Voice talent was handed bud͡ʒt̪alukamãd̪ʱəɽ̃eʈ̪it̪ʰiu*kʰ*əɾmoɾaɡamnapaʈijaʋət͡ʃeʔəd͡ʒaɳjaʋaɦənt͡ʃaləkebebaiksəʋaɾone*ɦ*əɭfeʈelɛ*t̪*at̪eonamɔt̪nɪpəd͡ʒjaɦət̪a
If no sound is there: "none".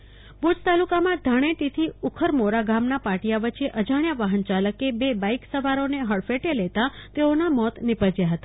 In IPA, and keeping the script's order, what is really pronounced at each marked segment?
kʰ, ɦ, t̪

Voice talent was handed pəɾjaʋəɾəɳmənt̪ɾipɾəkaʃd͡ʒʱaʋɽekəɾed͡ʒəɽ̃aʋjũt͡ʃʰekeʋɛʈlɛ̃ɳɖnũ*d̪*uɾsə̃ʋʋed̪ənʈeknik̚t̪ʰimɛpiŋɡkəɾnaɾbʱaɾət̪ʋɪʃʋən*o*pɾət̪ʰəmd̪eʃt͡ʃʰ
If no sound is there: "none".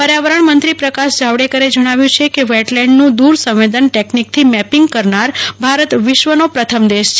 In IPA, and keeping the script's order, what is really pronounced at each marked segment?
d̪, o

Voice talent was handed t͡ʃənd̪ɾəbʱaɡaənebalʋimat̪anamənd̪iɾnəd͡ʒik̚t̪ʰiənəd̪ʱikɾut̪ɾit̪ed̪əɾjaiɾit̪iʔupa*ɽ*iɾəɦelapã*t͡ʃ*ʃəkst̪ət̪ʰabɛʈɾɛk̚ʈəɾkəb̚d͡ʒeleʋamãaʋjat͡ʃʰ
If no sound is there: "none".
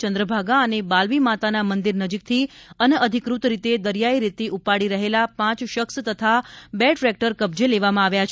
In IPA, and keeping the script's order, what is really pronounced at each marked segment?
ɽ, t͡ʃ

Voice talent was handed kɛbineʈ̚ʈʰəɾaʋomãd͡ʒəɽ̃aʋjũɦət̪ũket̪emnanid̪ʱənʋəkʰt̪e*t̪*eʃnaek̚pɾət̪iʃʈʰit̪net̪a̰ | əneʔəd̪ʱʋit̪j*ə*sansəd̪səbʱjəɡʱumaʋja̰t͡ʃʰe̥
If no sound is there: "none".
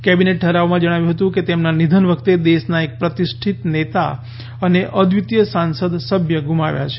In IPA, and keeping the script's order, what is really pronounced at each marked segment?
d̪, ə

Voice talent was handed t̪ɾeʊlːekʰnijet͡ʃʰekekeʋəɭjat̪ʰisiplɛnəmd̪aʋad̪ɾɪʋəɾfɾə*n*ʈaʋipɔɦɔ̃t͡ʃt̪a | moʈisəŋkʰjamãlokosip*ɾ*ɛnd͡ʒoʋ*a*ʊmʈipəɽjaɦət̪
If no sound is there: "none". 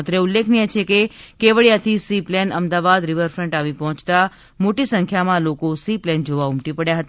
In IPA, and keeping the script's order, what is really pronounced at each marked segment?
ɳ, l, a

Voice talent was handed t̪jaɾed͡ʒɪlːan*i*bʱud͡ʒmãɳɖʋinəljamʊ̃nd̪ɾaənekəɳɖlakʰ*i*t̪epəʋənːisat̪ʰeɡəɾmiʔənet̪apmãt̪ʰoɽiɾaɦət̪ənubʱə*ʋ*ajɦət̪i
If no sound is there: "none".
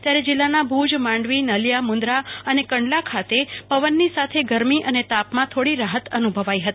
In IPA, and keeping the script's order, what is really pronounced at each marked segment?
a, a, ʋ

